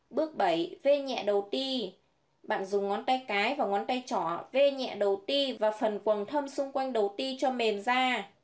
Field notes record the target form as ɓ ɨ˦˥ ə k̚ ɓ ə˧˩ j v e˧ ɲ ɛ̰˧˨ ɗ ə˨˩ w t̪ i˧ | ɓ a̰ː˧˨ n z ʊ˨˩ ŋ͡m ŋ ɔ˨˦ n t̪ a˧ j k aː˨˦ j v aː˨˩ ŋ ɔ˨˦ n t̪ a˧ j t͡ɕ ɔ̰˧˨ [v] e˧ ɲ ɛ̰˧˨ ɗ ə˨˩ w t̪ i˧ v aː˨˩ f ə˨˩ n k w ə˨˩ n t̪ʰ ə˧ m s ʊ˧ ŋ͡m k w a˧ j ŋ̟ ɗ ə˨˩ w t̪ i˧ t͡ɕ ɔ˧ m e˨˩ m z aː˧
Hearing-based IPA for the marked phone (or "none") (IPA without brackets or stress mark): v